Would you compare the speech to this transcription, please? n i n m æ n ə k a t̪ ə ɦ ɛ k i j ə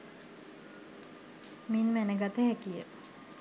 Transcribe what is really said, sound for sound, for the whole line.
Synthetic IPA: m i n m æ n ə ɡ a t̪ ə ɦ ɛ k i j ə